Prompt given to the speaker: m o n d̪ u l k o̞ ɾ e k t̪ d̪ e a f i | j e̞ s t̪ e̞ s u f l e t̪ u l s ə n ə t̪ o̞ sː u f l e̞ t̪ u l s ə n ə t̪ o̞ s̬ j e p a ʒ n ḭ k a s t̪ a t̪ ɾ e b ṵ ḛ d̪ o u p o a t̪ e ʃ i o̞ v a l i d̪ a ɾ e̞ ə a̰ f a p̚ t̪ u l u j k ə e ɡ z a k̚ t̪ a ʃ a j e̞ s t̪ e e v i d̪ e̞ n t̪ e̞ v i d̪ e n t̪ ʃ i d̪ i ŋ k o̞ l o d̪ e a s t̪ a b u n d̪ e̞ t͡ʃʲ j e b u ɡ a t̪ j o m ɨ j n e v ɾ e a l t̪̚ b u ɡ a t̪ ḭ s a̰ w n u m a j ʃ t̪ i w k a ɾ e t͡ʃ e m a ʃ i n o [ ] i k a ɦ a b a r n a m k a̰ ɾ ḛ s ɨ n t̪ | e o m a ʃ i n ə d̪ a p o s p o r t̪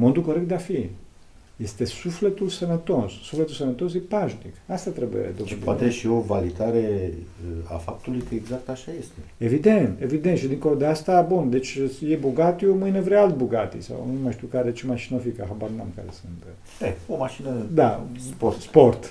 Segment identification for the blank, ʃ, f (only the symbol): f